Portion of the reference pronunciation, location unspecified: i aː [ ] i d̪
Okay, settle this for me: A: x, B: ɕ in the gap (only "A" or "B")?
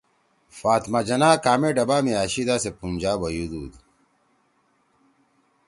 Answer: B